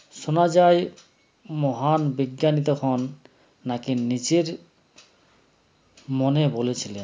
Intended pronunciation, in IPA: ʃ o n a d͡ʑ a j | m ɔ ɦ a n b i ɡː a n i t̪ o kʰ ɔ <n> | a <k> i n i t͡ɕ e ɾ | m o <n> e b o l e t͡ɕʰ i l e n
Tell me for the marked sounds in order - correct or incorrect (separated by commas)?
incorrect, correct, correct